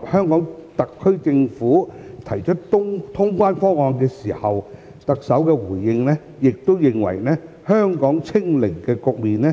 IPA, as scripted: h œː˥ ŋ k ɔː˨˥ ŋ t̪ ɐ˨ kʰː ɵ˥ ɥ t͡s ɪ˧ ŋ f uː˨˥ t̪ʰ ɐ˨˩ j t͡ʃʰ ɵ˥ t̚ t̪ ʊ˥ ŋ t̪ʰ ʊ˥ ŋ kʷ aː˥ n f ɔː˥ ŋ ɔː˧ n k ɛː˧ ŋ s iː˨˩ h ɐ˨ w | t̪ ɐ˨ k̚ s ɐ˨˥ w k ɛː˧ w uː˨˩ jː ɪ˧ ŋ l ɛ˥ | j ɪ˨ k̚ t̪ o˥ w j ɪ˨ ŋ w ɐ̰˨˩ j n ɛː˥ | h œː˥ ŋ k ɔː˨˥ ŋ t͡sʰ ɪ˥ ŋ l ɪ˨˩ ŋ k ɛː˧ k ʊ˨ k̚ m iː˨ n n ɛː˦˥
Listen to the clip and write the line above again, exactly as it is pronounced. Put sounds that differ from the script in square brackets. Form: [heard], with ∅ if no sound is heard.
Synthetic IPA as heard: h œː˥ ŋ k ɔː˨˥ ŋ t̪ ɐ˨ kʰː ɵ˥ ɥ t͡s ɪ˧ ŋ f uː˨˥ t̪ʰ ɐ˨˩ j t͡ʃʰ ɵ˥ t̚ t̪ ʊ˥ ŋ t̪ʰ ʊ˥ ŋ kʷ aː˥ n f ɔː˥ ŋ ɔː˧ n k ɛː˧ [∅] s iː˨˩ h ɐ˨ w | t̪ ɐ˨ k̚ s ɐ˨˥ w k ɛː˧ w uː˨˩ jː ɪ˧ ŋ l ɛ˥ | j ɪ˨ k̚ t̪ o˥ w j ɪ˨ ŋ w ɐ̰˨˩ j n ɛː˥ | h œː˥ ŋ k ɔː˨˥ ŋ t͡sʰ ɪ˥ ŋ l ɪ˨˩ ŋ k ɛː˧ k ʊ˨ k̚ m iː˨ n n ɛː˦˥

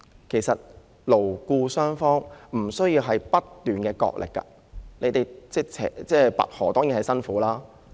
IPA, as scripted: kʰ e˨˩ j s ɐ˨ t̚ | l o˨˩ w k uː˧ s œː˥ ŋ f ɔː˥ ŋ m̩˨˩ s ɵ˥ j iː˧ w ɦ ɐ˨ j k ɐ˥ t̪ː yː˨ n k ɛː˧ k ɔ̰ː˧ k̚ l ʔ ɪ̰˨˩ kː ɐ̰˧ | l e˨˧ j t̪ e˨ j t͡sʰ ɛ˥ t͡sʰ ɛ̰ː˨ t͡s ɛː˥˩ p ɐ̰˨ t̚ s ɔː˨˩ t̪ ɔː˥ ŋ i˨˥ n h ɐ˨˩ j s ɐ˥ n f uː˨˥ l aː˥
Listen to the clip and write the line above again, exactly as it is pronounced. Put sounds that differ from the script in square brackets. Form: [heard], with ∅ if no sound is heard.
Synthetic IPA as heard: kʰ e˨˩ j s ɐ˨ t̚ | l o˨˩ w k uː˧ s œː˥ ŋ f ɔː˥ ŋ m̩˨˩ s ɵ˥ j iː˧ w ɦ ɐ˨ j [p] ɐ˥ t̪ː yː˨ n k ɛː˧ k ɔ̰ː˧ k̚ l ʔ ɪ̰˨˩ kː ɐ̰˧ | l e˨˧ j t̪ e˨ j [t͡s] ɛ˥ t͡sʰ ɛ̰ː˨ t͡s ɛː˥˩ p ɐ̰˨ t̚ [h] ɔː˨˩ t̪ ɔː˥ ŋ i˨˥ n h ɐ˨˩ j s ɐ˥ n f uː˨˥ l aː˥

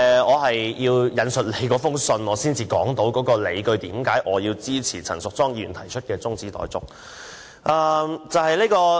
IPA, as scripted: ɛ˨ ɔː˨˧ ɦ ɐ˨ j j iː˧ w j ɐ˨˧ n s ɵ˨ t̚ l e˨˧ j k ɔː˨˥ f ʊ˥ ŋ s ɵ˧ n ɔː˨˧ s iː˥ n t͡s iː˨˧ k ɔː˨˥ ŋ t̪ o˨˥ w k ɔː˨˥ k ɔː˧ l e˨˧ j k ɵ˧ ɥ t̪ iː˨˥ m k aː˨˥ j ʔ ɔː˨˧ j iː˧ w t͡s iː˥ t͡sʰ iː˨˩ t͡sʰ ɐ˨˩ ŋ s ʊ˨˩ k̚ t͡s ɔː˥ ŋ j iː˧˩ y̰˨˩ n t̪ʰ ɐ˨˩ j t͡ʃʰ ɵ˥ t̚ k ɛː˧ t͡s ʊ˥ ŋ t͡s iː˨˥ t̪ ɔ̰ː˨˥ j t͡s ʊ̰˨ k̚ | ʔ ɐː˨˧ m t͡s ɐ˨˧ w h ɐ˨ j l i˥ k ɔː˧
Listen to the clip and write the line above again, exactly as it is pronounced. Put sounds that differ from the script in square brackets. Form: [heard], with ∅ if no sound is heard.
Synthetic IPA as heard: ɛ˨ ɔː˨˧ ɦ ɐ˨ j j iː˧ w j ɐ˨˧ n s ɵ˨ t̚ l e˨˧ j k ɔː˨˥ f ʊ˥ ŋ s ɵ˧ n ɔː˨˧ s iː˥ n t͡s iː˨˧ k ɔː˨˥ ŋ t̪ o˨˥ w k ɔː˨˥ k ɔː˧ l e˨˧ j k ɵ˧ ɥ t̪ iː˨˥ m k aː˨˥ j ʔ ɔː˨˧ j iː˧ w t͡s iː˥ t͡sʰ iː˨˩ t͡sʰ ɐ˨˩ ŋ s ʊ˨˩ k̚ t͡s ɔː˥ ŋ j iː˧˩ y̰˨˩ n t̪ʰ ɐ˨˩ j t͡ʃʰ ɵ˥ t̚ k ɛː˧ t͡s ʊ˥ ŋ t͡s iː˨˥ t̪ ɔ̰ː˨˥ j t͡s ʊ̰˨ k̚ | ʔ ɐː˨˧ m t͡s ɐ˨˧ w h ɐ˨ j l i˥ k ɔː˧

